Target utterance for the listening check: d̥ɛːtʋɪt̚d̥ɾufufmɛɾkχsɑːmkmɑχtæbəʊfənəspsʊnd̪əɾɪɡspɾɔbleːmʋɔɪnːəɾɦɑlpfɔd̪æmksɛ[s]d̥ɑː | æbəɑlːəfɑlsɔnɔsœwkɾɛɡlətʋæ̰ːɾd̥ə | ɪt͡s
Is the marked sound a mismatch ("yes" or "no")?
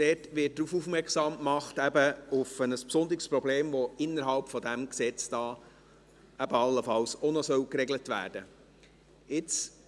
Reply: yes